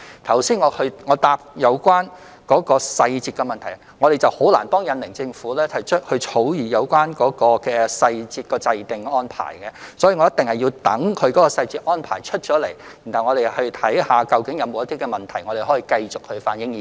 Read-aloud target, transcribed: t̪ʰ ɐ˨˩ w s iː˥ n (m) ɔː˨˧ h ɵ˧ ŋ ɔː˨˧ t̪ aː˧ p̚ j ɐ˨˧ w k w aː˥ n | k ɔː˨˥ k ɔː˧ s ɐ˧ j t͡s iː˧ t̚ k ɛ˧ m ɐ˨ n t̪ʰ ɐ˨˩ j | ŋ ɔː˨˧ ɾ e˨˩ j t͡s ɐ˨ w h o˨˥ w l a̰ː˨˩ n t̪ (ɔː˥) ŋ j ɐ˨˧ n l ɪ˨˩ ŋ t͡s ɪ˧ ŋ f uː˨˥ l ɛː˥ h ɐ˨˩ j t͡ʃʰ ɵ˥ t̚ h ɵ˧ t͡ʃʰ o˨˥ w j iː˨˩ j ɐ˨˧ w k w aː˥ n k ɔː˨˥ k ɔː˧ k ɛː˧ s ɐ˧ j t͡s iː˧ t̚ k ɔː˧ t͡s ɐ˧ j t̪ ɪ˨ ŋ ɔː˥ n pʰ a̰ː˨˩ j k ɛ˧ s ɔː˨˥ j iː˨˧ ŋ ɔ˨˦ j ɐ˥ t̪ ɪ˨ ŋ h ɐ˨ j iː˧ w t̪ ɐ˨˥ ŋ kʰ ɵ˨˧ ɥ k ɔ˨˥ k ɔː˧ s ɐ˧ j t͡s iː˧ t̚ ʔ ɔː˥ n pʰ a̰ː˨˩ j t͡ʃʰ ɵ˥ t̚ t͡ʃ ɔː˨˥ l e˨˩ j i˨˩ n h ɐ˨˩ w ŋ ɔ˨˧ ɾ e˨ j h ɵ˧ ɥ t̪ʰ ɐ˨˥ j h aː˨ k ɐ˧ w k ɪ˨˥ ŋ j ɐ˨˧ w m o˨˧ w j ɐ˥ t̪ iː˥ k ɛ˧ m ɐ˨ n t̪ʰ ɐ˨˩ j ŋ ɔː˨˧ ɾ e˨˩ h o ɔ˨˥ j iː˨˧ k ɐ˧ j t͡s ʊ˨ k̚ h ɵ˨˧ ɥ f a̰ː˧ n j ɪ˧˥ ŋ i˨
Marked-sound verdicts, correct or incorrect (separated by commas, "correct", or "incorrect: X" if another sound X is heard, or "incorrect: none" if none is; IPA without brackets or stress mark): incorrect: ŋ, correct